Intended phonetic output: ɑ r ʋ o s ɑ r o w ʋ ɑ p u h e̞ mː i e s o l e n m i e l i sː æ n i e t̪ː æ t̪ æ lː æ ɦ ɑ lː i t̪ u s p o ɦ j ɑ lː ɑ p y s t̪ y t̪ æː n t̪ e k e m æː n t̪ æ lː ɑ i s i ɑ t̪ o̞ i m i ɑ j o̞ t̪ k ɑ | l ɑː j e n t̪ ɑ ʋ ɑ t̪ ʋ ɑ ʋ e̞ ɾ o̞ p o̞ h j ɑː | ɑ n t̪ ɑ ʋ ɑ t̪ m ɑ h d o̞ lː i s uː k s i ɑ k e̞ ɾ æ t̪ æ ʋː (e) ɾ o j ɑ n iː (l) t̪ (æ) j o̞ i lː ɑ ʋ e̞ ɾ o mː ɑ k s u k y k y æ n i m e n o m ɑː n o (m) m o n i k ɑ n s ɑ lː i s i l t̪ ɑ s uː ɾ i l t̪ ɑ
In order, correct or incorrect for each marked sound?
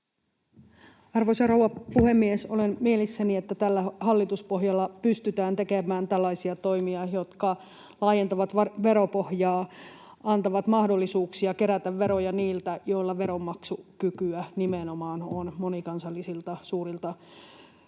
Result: correct, correct, correct, incorrect: n

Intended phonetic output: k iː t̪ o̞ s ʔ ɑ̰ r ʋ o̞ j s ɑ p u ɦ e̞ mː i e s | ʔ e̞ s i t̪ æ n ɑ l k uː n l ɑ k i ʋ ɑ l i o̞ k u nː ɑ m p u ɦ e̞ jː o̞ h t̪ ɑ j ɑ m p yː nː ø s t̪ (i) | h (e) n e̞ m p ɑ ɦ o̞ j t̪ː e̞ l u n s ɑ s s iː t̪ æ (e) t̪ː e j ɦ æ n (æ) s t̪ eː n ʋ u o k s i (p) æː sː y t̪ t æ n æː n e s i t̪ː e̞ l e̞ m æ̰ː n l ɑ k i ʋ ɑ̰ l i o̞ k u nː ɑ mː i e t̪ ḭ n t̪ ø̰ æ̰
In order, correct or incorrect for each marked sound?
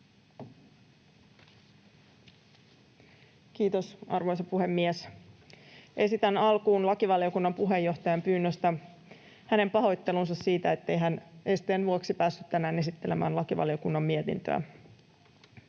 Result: incorrect: æ, incorrect: æ, correct, incorrect: e, correct

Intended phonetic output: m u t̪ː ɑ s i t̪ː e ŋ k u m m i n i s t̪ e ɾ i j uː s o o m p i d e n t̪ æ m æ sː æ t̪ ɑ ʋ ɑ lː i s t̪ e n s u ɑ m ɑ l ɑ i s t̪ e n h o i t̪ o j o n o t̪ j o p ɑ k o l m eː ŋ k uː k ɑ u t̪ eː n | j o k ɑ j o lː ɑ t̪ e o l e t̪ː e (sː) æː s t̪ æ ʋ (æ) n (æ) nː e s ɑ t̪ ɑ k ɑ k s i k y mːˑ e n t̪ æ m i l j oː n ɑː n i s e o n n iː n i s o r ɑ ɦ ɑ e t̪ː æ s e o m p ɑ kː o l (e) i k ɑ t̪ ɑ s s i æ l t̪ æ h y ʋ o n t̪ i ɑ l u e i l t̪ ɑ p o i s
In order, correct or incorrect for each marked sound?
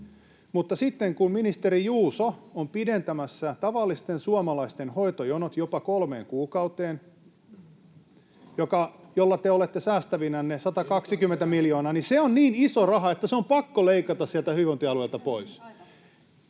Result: incorrect: s, incorrect: i, correct, correct

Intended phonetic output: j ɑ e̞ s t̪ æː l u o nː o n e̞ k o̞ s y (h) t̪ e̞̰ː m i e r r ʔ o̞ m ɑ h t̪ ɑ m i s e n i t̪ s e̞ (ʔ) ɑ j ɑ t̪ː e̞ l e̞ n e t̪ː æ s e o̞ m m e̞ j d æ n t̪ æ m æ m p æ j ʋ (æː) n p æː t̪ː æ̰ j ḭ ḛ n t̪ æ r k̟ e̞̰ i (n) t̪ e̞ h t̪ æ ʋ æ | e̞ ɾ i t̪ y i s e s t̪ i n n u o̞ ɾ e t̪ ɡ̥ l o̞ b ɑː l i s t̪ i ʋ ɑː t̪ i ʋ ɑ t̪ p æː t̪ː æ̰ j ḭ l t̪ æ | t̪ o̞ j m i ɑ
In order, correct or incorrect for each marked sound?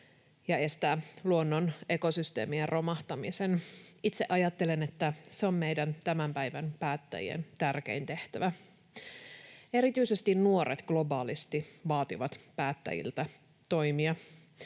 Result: incorrect: s, correct, incorrect: æ, correct

